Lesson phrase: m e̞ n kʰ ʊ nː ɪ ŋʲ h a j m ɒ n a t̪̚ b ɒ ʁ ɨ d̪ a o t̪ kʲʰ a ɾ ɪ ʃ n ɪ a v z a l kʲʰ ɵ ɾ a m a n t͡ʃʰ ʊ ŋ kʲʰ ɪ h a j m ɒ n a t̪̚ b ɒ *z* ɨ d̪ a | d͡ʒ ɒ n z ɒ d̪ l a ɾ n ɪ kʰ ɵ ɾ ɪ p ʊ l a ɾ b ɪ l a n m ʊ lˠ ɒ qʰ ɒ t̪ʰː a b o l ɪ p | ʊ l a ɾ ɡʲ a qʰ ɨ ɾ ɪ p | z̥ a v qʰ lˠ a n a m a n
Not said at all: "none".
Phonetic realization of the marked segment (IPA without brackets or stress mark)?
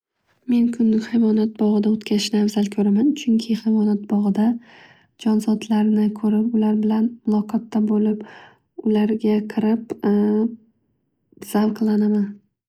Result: ʁ